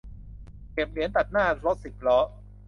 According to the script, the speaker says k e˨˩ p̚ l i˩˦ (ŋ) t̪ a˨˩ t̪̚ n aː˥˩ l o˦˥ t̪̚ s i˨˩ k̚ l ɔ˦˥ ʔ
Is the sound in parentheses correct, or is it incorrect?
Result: incorrect: n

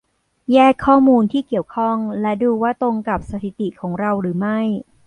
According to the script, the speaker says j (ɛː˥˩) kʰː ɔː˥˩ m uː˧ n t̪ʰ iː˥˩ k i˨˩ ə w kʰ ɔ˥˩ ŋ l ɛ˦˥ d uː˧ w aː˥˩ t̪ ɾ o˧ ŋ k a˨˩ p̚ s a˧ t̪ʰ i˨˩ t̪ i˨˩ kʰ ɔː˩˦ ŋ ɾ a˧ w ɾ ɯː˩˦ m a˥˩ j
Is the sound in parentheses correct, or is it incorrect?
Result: correct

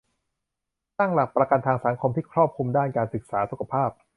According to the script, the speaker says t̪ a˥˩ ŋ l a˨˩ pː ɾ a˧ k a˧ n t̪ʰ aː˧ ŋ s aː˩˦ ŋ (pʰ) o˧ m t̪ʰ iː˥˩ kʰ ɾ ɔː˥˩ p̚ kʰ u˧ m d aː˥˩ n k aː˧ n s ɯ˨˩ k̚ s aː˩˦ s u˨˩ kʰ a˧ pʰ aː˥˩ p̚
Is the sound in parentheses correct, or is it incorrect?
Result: incorrect: kʰ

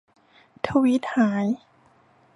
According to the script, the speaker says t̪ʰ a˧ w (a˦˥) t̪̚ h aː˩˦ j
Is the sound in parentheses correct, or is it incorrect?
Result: incorrect: i˦˥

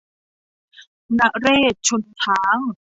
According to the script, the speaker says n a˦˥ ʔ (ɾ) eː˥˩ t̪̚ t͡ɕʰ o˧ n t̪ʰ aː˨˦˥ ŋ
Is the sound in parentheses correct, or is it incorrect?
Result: correct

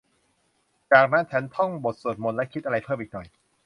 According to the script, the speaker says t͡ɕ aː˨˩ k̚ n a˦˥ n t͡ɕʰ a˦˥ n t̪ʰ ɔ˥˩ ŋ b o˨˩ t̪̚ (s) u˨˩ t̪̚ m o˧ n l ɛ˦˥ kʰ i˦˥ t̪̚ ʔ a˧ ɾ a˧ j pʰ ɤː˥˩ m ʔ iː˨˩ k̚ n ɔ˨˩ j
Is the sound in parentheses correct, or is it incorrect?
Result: correct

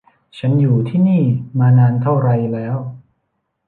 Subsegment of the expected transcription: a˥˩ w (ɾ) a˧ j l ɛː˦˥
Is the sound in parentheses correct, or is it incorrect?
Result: correct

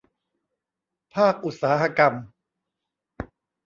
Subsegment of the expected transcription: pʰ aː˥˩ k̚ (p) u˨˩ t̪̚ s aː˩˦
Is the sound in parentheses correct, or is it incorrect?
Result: incorrect: ʔ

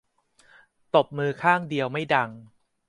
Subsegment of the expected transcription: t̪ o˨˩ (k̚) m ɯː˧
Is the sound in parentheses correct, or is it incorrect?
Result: incorrect: p̚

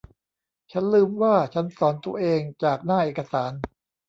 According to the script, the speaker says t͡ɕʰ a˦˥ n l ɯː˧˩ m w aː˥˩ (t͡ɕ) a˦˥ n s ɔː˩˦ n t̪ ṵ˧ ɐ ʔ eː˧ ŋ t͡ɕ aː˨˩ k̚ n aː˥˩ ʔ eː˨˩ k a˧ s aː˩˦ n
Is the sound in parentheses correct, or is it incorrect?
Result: incorrect: t͡ɕʰ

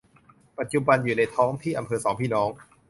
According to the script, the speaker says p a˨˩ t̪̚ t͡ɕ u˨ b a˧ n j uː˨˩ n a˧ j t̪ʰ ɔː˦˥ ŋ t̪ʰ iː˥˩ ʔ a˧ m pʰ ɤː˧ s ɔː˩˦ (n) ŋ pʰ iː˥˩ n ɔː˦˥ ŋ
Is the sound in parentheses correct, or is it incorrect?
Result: incorrect: none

